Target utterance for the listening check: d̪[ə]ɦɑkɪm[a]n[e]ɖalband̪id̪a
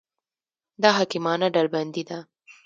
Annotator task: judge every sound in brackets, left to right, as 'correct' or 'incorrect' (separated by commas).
incorrect, incorrect, incorrect